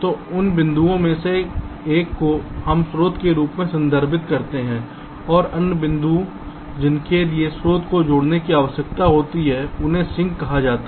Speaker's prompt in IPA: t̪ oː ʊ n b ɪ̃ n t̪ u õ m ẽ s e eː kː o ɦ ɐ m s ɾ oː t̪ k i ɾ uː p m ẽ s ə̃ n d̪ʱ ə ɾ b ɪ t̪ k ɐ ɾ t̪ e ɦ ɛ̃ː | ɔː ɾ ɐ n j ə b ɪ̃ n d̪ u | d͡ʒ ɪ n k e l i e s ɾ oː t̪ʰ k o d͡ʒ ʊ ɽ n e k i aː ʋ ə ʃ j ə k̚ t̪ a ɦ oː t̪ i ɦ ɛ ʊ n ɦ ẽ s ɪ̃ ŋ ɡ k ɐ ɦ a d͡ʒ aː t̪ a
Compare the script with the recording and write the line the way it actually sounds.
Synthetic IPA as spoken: t̪ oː ʊ n b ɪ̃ n d̪ u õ m ẽ s e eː kː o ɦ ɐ m s ɾ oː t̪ k e ɾ uː p m ẽ s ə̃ n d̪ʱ ə ɾ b ɪ t̪ k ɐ ɾ t̪ e ɦ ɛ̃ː | ɔː ɾ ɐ n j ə b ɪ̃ n d̪ u | d͡ʒ ɪ n k e l i e s ɾ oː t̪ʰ k o d͡ʒ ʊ ɽ n e k i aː ʋ ə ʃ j ə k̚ t̪ a ɦ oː t̪ i ɦ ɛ ʊ n ɦ ẽ s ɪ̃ ŋ ɡ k ɐ ɦ a d͡ʒ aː t̪ a